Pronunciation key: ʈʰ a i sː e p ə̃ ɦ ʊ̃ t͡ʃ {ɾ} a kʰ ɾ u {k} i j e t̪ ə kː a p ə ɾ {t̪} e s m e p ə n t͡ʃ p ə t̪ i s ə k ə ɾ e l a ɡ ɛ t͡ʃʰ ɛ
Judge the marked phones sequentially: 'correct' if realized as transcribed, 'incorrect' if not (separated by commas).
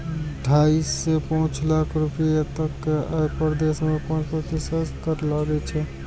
incorrect, incorrect, incorrect